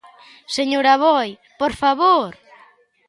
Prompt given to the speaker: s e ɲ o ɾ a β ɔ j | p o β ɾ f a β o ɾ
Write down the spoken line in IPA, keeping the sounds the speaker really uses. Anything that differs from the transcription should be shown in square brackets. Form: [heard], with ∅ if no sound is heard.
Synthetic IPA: s e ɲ o ɾ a β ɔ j | p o [∅] ɾ f a β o ɾ